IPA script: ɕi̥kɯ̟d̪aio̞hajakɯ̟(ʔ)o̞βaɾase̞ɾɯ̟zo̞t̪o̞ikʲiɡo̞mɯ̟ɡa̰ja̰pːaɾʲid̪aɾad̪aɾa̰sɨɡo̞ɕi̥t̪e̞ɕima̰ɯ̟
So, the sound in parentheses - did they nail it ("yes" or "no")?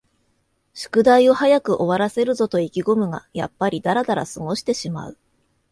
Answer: yes